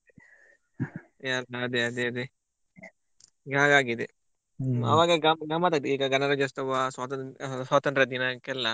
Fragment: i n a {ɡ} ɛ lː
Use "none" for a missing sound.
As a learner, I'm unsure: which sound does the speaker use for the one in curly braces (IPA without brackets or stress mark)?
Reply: k